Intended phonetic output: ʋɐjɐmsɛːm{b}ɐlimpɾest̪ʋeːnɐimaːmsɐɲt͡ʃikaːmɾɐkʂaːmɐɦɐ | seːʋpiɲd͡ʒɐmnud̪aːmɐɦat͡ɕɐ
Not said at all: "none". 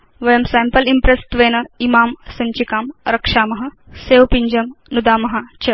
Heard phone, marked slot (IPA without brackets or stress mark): p